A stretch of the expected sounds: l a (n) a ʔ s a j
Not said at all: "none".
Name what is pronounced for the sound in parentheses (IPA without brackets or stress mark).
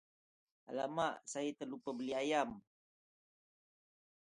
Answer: m